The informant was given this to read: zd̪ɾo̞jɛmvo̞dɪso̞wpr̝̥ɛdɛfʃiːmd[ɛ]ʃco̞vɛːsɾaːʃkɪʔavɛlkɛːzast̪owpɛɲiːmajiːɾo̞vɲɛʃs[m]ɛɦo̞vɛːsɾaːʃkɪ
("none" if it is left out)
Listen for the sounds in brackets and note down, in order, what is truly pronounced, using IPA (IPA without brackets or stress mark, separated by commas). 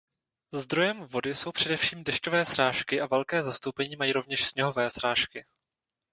ɛ, ɲ